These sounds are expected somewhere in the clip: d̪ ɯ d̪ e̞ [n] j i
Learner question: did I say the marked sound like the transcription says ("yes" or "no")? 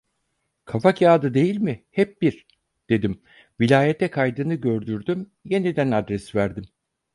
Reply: no